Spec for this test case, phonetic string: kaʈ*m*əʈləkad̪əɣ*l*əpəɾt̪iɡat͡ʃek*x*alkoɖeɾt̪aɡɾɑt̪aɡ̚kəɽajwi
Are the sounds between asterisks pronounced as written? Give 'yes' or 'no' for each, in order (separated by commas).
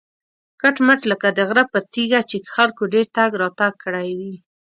yes, no, yes